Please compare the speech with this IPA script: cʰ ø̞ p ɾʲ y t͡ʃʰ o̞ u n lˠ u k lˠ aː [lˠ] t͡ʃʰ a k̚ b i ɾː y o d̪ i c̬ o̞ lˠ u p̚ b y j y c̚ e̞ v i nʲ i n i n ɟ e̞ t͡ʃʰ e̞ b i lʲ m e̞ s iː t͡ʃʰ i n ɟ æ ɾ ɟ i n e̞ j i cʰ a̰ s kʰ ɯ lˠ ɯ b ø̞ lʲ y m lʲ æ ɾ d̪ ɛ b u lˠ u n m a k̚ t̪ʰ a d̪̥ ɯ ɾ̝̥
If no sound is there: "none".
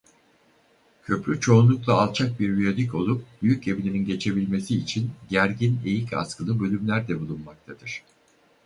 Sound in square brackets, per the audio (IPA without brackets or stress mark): lˠ